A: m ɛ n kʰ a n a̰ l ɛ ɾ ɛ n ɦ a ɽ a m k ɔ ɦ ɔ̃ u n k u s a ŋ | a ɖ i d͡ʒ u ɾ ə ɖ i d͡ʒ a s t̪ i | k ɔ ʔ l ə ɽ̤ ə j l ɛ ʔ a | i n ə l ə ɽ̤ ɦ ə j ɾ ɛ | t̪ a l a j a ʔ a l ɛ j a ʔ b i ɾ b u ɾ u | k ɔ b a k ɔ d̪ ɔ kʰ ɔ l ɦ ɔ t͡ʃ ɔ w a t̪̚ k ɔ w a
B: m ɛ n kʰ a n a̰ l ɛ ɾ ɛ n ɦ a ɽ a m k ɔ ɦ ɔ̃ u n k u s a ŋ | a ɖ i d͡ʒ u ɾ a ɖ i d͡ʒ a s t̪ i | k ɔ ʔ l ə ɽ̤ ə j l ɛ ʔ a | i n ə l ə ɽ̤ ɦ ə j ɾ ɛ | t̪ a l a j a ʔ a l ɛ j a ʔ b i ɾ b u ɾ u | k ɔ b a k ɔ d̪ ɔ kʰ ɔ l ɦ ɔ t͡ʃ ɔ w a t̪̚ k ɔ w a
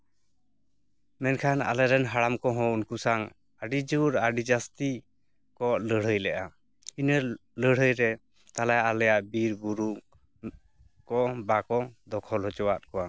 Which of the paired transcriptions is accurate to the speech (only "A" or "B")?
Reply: B